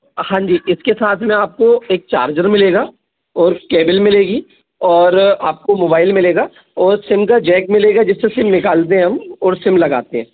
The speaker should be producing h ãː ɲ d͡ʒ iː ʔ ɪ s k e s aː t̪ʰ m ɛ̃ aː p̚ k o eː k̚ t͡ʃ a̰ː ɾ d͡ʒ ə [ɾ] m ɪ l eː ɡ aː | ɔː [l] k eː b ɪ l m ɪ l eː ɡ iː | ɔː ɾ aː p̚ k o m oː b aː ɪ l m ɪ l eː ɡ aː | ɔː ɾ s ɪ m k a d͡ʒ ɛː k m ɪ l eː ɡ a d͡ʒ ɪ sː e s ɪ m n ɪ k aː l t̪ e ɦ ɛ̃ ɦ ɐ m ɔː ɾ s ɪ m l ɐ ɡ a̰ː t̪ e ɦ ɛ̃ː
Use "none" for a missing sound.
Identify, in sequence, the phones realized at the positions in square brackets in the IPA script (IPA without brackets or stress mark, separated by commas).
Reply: ɾ, ɾ